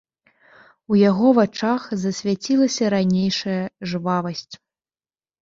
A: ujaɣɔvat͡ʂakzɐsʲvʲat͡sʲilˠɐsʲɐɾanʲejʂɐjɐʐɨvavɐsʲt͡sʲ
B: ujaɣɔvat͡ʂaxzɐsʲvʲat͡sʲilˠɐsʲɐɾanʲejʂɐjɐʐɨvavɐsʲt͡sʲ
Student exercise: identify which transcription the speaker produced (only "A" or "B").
B